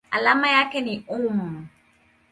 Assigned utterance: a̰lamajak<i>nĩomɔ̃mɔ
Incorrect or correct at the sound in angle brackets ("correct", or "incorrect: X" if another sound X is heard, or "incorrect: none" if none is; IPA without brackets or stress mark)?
incorrect: ɛ